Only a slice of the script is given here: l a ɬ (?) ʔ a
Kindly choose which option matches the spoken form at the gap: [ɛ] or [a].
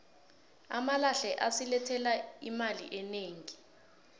ɛ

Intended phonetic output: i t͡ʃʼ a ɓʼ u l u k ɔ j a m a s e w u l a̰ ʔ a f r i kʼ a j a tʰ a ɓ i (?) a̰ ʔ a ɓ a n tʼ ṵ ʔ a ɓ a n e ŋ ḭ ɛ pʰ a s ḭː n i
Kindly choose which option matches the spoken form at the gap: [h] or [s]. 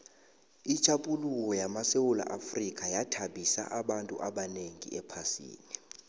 s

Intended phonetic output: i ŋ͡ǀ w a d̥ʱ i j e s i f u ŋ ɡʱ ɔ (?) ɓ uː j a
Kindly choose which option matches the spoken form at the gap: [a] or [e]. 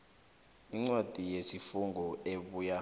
e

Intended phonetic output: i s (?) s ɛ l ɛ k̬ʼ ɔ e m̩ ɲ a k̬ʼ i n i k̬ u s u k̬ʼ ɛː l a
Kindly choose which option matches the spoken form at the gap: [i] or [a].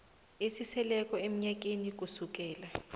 i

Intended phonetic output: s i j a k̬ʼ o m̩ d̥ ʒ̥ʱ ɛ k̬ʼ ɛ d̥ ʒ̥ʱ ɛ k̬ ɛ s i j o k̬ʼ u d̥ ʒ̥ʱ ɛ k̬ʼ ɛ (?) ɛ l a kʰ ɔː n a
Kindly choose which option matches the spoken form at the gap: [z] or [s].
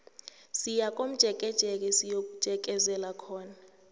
z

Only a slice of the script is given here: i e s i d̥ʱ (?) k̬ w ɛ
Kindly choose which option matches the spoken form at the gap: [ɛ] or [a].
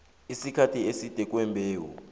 ɛ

